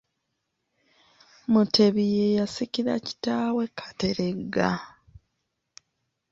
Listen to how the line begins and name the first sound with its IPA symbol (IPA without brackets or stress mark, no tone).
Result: m